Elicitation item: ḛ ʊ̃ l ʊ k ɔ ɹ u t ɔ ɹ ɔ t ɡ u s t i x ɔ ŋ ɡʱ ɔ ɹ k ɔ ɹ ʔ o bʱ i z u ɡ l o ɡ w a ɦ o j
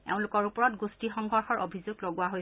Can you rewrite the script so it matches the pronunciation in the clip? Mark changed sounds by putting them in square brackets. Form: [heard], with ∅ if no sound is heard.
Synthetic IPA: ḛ ʊ̃ l ʊ k ɔ ɹ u [p] ɔ ɹ ɔ t ɡ u s t i x ɔ ŋ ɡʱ ɔ ɹ [x] ɔ ɹ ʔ o bʱ i z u ɡ l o ɡ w a ɦ o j